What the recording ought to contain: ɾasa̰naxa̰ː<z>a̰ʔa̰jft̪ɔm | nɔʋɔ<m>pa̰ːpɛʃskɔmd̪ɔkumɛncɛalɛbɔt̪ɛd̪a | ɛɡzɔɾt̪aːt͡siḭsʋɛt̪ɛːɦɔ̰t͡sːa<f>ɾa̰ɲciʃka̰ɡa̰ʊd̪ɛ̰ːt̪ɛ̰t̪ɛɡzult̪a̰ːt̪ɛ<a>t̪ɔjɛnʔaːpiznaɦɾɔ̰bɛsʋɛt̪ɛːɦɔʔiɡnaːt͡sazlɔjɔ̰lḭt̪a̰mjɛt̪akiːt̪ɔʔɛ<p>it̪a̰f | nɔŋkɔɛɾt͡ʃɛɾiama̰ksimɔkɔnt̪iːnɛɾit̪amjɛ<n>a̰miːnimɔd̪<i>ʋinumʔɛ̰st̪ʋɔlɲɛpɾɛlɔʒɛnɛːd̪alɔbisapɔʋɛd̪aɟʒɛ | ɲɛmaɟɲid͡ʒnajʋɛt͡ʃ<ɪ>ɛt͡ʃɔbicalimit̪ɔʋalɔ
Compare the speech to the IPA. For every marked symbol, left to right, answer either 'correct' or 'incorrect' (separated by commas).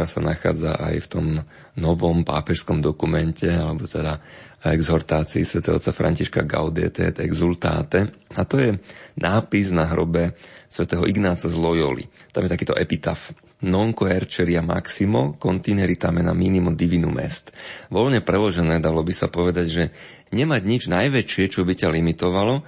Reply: incorrect, correct, correct, correct, correct, correct, correct, correct